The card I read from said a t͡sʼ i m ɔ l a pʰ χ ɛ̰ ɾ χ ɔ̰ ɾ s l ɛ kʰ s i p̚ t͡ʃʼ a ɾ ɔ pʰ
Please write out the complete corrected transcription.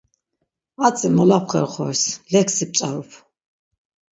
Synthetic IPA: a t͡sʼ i m ɔ l a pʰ χ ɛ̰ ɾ χ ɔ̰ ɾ s l ɛ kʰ s i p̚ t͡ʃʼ a ɾ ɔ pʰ